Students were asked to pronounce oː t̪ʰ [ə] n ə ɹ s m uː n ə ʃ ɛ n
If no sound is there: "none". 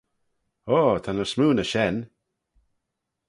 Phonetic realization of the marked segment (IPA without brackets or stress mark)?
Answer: a